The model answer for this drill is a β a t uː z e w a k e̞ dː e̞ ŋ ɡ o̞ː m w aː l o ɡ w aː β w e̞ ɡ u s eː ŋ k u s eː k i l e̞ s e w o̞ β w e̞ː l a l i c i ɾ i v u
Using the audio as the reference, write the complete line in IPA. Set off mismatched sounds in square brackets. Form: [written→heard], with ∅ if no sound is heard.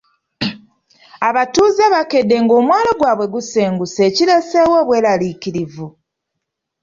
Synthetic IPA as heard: a β a t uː z e [w→β] a k e̞ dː e̞ ŋ ɡ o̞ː m w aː l o ɡ w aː β w e̞ ɡ u s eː ŋ [k→ɡ] u s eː [k→c] i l e̞ s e w o̞ β w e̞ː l a l i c i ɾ i v u